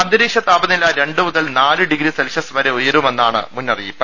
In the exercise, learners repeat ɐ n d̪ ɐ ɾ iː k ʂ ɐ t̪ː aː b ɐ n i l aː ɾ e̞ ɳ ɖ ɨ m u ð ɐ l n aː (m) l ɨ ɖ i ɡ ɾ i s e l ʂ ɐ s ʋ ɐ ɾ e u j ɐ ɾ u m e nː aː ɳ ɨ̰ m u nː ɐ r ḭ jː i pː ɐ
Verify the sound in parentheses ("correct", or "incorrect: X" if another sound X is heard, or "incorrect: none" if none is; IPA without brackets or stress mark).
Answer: incorrect: none